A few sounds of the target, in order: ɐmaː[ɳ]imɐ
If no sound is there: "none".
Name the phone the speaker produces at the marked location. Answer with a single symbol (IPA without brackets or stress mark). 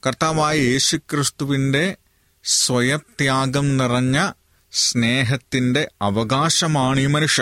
ɳ